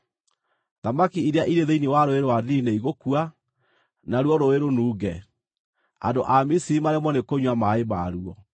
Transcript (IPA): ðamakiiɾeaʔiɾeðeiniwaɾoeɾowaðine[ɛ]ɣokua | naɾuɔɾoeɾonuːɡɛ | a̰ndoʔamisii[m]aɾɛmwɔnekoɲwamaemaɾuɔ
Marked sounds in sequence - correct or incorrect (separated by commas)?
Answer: incorrect, correct